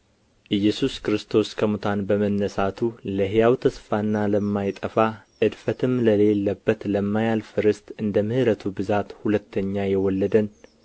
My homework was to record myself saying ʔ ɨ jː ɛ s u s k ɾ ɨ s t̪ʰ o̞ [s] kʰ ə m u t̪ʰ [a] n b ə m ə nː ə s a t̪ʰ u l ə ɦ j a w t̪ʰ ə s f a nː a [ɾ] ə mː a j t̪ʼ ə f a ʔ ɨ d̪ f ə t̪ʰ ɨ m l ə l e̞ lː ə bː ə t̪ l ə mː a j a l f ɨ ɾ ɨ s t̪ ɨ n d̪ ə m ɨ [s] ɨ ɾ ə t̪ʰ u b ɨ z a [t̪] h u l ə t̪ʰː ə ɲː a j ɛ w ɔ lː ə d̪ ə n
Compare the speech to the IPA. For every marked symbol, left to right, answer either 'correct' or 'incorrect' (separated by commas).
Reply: correct, correct, incorrect, incorrect, correct